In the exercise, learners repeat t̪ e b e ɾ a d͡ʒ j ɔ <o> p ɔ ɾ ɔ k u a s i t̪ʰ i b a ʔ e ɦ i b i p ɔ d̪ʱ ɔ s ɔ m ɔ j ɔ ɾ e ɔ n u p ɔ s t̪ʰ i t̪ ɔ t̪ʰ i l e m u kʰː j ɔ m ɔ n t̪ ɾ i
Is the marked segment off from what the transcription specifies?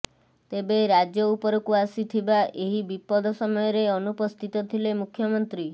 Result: yes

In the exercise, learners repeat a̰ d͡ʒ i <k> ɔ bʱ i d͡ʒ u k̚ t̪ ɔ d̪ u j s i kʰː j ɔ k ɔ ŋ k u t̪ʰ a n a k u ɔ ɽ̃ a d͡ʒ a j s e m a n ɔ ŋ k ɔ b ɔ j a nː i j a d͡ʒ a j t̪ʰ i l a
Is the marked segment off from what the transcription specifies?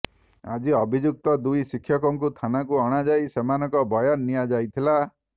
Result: yes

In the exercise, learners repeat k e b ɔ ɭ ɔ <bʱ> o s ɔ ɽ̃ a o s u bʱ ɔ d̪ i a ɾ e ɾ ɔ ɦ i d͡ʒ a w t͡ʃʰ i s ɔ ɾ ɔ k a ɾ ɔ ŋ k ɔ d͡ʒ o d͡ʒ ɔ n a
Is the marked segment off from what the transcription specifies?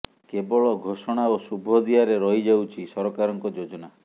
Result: yes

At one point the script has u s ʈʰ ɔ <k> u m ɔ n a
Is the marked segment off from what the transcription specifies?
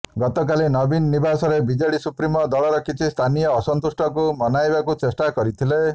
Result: no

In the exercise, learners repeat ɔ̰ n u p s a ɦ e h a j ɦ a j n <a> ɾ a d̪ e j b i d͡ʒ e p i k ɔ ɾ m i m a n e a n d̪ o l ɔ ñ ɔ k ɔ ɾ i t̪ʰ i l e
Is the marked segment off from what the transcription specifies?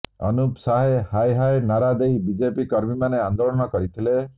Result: no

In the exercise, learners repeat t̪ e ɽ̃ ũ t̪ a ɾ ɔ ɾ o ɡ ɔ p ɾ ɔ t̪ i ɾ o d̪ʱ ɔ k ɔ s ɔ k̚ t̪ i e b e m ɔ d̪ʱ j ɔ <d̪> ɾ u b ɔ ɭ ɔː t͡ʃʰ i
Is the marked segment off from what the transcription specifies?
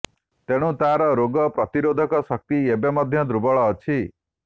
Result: no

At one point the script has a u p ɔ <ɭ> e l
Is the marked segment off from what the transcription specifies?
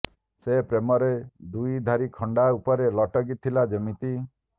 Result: yes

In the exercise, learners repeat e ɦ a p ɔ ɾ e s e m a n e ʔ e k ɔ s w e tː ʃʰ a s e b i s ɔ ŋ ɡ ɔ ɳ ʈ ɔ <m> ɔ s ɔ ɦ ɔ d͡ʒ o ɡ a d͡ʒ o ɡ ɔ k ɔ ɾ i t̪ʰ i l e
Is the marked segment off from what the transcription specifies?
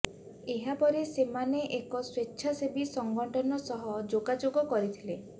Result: yes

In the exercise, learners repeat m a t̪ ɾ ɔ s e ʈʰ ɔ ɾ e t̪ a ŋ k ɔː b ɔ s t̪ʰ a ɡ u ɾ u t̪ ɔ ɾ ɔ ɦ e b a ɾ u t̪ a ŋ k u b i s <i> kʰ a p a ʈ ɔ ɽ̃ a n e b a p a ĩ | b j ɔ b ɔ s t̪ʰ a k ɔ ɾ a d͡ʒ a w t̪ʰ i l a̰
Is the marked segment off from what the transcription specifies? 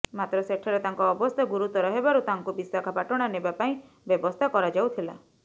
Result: yes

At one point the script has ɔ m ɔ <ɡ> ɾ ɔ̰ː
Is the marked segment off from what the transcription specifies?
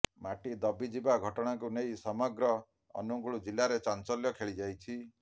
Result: no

